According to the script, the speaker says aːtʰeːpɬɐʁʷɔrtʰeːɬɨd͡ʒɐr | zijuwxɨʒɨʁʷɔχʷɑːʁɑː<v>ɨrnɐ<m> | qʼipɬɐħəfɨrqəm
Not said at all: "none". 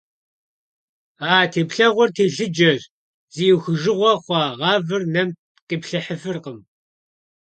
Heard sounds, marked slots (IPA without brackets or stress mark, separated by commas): v, m